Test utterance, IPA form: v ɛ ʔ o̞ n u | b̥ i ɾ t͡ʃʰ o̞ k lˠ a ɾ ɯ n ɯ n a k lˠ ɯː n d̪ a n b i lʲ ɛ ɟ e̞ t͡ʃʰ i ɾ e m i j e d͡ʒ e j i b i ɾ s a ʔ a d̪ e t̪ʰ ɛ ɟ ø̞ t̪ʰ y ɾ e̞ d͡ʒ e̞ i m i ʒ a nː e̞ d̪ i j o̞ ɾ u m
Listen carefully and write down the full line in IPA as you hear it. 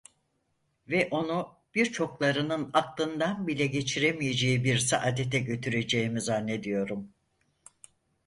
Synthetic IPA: v ɛ ʔ o̞ n u | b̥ i ɾ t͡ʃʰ o̞ k lˠ a ɾ ɯ n ɯ n a k lˠ ɯ n d̪ a n b i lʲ ɛ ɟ e̞ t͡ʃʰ i ɾ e m i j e d͡ʒ e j i b i ɾ s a ʔ a d̪ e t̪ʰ ɛ ɟ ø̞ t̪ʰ y ɾ e̞ d͡ʒ e̞ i m i z a nː e̞ d̪ i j o̞ ɾ u m